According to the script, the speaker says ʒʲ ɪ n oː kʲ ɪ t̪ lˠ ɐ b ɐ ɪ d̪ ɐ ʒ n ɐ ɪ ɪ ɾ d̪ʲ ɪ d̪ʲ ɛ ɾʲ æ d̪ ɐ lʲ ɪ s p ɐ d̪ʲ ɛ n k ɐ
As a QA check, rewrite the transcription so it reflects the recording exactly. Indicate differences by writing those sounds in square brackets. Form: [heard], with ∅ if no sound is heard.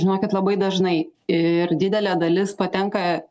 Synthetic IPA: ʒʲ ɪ n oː kʲ ɪ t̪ lˠ ɐ b ɐ ɪ d̪ ɐ ʒ n ɐ ɪ ɪ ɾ d̪ʲ ɪ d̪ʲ ɛ [lʲ] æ d̪ ɐ lʲ ɪ s p ɐ [t̪ʲ] ɛ [ŋ] k ɐ